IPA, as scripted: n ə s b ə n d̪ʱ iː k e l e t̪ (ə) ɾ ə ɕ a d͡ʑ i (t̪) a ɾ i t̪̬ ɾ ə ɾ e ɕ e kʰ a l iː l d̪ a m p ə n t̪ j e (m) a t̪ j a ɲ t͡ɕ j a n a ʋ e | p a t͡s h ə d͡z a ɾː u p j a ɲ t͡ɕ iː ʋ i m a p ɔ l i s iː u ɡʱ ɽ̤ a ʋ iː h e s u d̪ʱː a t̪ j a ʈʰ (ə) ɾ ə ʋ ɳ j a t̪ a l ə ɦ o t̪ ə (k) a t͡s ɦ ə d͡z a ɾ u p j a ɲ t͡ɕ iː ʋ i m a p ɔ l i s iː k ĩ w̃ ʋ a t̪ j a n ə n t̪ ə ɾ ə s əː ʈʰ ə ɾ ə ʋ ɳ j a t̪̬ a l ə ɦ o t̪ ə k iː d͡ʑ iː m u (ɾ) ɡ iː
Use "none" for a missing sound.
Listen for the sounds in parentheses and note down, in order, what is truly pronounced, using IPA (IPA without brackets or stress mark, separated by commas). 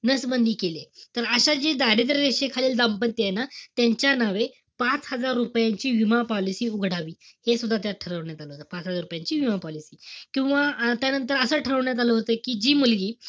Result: ə, d̪, n, ə, p, l